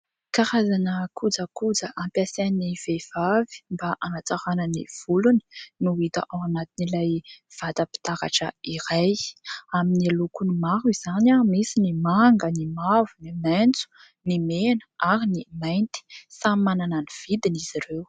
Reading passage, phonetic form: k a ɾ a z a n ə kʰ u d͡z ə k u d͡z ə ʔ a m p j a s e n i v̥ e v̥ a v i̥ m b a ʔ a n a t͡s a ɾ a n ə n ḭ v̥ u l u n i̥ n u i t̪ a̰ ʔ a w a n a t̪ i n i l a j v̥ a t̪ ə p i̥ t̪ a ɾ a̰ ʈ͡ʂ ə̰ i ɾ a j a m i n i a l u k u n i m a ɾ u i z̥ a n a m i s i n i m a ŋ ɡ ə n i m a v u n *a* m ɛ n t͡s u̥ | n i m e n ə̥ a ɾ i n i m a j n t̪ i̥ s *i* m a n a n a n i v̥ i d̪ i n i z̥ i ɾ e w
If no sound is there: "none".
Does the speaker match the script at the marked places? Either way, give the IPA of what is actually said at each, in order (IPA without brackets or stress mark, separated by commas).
i, a